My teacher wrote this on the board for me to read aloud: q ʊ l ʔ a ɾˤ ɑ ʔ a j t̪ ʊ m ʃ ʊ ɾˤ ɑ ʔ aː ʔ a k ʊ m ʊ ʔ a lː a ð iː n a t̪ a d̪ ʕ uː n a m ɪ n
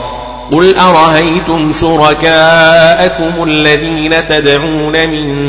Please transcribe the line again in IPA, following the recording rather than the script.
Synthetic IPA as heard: q ʊ l ʔ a ɾˤ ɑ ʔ a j t̪ ʊ m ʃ ʊ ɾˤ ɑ k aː ʔ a k ʊ m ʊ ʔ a lː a ð iː n a t̪ a d̪ ʕ uː n a m ɪ n